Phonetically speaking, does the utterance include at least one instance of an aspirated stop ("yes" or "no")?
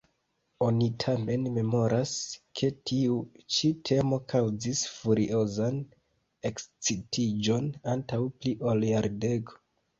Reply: yes